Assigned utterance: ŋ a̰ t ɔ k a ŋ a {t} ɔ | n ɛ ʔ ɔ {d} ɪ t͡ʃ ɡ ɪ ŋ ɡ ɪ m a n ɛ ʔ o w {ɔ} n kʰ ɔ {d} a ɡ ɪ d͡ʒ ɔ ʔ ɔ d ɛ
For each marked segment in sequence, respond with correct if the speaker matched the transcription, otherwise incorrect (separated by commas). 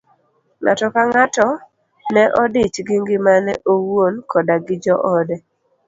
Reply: correct, correct, incorrect, correct